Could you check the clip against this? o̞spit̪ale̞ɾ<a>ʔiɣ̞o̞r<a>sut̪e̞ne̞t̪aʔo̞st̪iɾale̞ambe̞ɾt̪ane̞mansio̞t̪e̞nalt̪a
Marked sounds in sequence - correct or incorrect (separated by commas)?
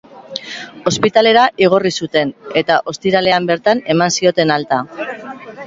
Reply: correct, incorrect